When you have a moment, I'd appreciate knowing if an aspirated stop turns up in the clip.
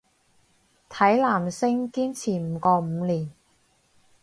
yes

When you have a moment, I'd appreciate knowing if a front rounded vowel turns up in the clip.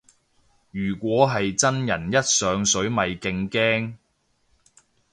yes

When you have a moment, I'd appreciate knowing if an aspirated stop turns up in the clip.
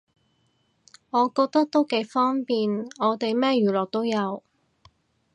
no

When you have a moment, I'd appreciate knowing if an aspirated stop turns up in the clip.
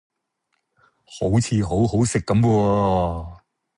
yes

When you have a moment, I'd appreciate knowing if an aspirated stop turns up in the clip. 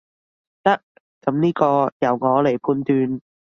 yes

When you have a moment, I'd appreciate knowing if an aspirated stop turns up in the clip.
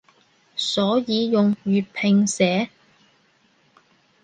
yes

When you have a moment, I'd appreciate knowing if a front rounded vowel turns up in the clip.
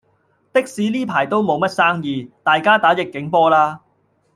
no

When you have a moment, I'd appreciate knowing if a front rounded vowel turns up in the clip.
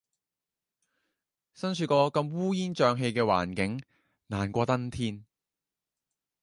yes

